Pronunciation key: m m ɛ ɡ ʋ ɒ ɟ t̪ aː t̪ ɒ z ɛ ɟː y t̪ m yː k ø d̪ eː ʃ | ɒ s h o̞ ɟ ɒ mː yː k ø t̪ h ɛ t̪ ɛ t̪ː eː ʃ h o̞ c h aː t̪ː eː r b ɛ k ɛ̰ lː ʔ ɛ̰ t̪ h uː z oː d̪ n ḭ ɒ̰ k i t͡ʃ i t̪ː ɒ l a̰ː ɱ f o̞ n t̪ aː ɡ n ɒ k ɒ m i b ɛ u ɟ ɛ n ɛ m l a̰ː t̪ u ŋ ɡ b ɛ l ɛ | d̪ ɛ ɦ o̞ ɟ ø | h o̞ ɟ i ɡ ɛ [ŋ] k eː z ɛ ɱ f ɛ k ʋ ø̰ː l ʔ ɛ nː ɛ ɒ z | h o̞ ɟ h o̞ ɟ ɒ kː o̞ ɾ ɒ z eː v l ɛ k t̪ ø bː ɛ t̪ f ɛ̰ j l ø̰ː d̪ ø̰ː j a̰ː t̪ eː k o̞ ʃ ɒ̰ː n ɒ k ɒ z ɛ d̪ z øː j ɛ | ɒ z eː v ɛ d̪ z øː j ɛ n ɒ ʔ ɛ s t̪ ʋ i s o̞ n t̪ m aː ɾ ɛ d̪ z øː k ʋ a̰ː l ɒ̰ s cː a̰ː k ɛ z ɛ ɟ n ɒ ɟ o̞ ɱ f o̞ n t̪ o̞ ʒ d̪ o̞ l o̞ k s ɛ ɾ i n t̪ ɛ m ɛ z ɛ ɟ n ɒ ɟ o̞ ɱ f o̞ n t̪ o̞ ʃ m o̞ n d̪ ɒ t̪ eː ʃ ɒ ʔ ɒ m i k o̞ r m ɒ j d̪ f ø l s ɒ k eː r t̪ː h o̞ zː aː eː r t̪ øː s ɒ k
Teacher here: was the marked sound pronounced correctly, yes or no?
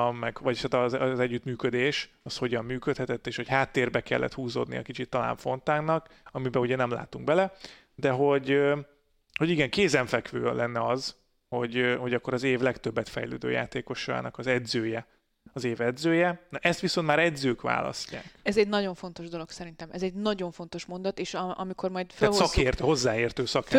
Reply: yes